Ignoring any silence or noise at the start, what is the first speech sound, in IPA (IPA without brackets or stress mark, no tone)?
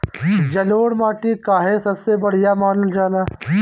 d͡ʒ